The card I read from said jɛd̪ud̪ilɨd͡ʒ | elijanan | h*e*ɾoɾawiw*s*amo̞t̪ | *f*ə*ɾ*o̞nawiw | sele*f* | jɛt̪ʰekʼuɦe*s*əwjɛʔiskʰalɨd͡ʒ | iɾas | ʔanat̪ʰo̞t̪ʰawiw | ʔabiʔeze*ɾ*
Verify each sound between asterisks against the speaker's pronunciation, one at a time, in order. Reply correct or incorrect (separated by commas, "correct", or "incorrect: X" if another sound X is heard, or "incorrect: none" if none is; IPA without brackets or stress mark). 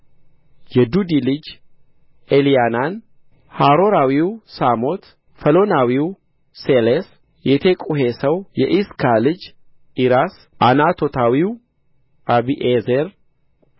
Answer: incorrect: a, correct, correct, incorrect: l, incorrect: s, correct, correct